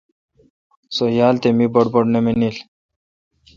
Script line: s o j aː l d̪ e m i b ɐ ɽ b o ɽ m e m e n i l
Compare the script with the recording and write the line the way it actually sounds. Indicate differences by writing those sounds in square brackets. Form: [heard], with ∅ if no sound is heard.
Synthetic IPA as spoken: s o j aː l [t̪] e m i b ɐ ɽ b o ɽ [n] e m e n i l